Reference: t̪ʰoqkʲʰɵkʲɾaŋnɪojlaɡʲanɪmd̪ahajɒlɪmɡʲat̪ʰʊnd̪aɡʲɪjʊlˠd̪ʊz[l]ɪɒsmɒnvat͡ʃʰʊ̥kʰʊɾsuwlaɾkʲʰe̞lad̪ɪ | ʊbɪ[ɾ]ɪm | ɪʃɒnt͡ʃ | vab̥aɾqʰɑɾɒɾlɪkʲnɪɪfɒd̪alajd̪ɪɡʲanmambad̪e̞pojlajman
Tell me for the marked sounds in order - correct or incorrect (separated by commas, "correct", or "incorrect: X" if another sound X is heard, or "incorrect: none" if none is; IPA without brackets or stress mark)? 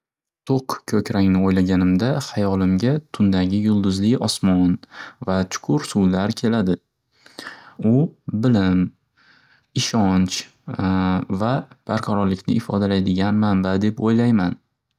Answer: correct, incorrect: l